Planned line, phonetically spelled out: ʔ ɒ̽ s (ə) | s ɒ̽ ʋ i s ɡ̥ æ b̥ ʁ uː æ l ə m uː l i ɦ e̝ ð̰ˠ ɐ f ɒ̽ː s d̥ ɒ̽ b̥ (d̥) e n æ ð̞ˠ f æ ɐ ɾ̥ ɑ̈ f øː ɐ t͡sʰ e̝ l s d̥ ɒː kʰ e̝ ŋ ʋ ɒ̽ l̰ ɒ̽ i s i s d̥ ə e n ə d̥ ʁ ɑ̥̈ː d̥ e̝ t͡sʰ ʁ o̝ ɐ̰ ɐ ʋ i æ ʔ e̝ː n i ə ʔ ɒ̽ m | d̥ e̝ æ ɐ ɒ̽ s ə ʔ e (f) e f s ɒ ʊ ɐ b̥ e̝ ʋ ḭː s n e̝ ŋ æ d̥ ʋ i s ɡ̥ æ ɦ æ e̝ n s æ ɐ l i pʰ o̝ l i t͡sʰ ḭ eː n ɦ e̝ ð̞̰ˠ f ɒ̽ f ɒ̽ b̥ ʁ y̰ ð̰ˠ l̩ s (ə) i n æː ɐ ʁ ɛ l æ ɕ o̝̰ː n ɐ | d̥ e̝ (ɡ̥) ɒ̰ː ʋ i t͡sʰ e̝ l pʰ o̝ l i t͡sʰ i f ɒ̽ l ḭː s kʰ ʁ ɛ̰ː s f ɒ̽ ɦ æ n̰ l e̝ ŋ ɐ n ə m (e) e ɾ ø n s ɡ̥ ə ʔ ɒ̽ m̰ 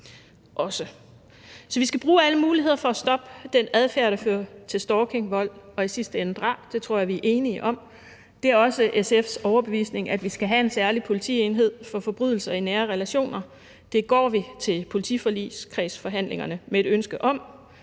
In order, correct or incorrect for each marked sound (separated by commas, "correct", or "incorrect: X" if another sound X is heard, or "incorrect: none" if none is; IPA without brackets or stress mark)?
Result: correct, correct, incorrect: s, incorrect: ɐ, correct, correct